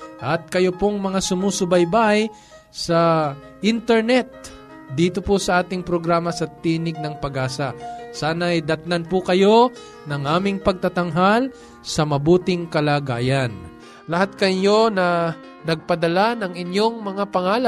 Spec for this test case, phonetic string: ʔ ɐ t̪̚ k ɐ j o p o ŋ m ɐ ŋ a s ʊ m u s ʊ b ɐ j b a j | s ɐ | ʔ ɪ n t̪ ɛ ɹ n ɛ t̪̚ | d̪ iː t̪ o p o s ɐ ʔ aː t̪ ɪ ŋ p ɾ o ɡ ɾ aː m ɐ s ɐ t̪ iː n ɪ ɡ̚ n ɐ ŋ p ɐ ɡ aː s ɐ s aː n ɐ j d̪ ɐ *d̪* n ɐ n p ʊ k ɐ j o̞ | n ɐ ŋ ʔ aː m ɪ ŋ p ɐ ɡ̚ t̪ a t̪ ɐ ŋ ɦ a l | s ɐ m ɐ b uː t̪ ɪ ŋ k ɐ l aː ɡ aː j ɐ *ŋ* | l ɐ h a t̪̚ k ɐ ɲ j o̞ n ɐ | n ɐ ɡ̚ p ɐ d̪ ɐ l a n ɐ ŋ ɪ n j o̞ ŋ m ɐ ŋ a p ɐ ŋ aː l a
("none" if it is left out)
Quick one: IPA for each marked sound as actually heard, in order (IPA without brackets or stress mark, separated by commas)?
t̪, n